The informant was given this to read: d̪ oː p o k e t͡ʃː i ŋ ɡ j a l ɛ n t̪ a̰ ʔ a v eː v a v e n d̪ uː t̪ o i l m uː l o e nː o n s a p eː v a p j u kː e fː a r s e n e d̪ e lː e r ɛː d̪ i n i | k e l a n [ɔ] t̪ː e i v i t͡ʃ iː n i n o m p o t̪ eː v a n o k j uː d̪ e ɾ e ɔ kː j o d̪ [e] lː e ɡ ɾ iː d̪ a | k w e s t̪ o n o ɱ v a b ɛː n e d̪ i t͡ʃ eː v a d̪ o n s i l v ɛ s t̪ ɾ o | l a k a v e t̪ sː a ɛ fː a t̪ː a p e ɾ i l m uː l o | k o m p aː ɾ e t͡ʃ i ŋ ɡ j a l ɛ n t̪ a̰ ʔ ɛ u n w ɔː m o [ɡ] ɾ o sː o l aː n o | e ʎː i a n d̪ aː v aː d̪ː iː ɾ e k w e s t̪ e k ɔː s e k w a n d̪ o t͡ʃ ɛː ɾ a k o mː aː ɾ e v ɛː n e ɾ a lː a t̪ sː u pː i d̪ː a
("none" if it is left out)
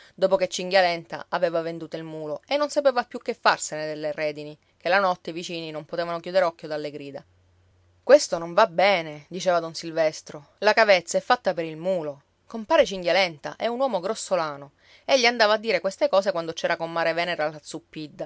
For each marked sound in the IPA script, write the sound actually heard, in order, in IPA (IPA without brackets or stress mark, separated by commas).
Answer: ɔ, a, ɡ